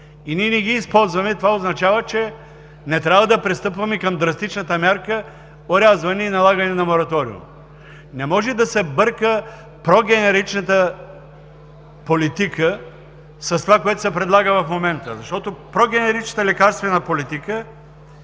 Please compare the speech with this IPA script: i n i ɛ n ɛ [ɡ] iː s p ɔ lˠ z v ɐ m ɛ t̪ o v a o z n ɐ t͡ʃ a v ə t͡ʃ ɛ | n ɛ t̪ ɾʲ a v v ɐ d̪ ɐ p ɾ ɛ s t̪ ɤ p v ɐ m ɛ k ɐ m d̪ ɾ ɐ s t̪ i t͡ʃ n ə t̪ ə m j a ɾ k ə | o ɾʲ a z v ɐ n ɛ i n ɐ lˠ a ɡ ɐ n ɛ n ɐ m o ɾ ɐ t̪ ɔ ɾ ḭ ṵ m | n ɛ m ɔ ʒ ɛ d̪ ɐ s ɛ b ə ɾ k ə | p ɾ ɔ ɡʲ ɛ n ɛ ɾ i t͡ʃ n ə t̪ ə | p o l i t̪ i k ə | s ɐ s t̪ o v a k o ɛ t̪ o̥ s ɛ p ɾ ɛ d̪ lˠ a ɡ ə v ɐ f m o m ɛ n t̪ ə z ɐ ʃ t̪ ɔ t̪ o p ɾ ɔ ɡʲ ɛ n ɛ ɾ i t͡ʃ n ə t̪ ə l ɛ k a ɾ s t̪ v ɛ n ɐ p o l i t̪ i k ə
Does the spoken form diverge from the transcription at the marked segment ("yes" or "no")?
no